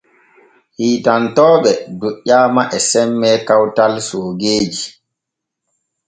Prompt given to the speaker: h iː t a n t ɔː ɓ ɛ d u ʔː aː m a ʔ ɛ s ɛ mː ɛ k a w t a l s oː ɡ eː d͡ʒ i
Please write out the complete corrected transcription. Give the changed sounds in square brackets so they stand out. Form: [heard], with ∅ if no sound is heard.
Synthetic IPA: h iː t a n t ɔː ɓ ɛ d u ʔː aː m a ʔ ɛ s ɛ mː ɛ k a w t a l s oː ɡ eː d͡ʒ i